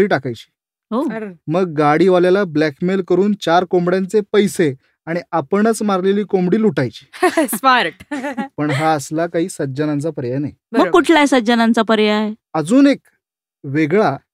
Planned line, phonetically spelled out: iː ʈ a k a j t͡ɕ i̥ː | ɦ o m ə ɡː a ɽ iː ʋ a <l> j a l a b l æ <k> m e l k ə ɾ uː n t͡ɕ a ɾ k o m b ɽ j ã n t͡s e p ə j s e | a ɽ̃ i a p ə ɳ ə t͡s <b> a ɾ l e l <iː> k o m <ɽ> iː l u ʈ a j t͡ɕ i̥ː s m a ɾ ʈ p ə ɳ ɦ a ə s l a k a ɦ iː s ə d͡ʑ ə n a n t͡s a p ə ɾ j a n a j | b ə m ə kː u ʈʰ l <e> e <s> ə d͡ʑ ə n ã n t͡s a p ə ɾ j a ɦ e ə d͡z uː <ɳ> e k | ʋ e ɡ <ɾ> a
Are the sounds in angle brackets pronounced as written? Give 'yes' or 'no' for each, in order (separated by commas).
yes, yes, no, yes, yes, no, yes, no, no